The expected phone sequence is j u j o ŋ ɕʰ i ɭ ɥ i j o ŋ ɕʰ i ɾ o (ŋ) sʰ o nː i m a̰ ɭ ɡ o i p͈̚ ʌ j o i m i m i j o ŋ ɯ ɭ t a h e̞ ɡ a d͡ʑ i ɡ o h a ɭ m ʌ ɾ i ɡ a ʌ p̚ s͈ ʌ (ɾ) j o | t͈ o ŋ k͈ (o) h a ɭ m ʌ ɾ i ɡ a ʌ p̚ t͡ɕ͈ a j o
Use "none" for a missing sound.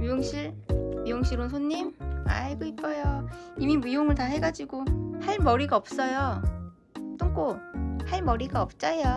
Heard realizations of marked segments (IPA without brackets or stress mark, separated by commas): n, none, o